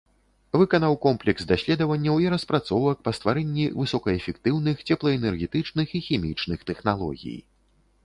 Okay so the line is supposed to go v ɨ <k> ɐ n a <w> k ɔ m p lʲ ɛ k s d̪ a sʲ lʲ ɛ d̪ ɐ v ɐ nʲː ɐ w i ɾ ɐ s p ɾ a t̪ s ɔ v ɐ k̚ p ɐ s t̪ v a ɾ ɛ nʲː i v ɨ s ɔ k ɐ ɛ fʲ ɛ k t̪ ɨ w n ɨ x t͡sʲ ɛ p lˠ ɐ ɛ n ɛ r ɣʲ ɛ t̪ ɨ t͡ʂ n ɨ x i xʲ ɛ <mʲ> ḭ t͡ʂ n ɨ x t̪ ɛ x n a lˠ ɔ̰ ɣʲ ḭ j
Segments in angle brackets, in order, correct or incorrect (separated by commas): correct, correct, correct